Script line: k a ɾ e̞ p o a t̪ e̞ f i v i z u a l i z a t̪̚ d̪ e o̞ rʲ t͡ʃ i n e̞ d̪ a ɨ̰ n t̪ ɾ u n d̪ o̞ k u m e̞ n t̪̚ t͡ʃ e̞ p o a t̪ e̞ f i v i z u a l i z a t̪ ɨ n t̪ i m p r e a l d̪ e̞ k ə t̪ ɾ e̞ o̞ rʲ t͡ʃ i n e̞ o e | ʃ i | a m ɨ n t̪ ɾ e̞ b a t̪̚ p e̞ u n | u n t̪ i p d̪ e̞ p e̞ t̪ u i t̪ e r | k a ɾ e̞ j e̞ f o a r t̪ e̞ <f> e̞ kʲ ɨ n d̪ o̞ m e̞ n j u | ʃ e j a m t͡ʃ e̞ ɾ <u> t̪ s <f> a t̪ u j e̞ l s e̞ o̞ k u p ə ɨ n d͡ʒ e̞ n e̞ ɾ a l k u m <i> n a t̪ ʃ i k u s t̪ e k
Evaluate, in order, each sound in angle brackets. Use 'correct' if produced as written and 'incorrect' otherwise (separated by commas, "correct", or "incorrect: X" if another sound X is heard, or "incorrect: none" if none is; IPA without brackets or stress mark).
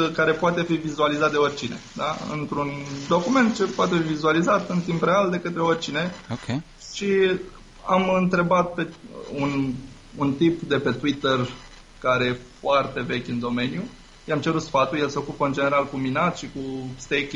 incorrect: v, correct, correct, correct